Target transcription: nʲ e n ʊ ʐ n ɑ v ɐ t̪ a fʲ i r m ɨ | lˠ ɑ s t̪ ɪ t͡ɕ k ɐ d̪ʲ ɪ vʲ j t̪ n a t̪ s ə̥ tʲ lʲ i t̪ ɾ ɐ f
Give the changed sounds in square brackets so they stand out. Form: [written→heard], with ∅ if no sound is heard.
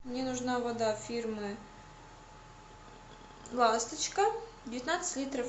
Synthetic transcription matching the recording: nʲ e n ʊ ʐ n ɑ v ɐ [t̪→d̪] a fʲ i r m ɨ | lˠ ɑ s t̪ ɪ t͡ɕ k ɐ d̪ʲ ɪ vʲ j t̪ n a t̪ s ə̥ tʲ lʲ i t̪ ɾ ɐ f